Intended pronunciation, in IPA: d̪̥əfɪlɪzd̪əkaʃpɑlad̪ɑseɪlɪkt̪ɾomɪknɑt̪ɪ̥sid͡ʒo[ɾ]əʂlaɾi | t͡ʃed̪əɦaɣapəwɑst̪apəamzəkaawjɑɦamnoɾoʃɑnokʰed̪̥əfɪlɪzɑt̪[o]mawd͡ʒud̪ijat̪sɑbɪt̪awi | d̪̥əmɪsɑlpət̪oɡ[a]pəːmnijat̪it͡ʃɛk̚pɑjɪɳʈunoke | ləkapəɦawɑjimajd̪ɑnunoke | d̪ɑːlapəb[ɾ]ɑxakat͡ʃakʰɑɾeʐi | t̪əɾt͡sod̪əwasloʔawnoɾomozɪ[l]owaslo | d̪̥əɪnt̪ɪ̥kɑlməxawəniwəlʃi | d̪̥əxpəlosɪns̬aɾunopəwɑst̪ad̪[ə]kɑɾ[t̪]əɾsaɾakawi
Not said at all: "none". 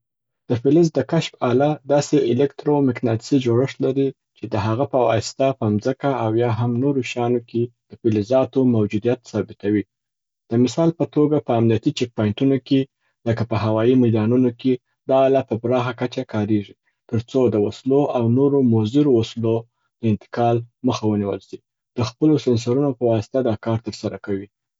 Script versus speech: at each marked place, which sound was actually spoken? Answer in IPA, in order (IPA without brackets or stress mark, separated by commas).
ɽ, o, a, ɾ, ɾ, ɑ, t̪